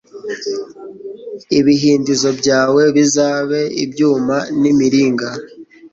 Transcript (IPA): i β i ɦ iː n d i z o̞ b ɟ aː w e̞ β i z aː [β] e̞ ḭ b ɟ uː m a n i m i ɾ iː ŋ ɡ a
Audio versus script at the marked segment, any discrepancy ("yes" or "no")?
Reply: no